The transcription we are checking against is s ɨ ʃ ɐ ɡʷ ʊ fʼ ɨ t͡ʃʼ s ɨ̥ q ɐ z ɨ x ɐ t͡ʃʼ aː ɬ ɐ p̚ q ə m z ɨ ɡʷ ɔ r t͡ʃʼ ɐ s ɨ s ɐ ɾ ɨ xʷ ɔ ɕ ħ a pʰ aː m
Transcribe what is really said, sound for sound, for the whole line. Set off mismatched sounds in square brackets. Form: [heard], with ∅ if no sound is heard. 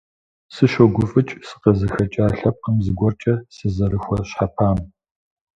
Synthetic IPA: s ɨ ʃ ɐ ɡʷ ʊ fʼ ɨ t͡ʃʼ s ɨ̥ q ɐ z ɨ x ɐ t͡ʃʼ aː ɬ ɐ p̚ q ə m z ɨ ɡʷ ɔ r t͡ʃʼ ɐ s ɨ [z] ɐ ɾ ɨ xʷ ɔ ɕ ħ a pʰ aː m